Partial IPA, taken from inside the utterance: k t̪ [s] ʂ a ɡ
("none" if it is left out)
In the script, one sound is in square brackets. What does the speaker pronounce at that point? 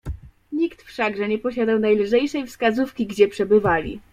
f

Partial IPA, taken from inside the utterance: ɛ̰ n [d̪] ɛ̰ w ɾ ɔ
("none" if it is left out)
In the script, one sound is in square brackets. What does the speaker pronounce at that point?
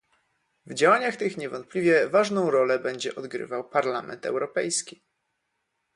t̪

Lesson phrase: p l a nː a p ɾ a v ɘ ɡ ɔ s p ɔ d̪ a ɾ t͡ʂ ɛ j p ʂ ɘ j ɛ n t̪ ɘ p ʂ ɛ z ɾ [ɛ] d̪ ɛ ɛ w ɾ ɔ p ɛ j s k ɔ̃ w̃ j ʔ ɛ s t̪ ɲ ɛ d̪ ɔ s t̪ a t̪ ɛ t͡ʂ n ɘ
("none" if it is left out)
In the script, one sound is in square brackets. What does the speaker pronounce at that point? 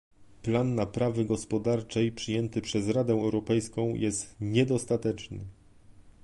a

